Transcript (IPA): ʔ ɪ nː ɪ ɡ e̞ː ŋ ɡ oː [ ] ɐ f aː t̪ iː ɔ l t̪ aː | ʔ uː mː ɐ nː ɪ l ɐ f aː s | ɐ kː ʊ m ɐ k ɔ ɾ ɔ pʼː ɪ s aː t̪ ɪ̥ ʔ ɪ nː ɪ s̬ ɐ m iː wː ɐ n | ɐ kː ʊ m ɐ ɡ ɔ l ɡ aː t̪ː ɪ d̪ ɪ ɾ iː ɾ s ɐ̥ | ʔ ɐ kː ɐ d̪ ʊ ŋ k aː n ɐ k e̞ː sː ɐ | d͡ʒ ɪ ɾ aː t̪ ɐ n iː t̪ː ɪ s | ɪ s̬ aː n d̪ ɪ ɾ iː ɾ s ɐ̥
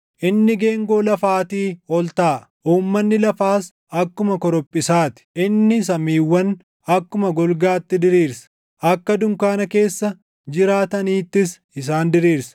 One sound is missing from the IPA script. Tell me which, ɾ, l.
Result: l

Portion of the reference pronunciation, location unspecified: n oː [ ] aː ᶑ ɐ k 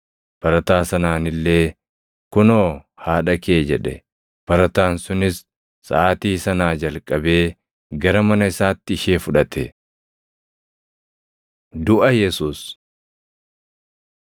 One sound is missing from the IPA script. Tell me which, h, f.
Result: h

